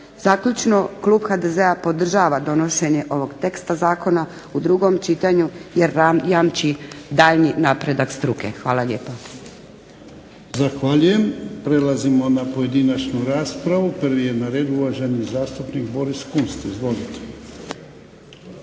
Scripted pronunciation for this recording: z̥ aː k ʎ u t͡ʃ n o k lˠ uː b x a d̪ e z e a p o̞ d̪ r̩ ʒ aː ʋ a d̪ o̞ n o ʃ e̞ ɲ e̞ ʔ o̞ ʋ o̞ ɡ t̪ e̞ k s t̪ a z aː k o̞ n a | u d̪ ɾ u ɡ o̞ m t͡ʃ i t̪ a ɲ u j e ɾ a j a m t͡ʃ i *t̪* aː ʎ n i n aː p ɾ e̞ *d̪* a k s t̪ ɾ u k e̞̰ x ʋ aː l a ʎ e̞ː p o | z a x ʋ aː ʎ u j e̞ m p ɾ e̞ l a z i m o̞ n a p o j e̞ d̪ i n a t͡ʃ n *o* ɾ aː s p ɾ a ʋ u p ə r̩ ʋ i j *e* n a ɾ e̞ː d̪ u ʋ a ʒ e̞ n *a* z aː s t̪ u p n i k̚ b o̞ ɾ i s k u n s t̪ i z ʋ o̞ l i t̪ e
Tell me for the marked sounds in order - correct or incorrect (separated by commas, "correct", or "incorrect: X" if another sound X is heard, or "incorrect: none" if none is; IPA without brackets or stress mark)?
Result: incorrect: d̪, correct, incorrect: u, correct, incorrect: i